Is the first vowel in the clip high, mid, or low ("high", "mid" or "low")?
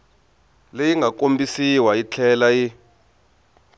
mid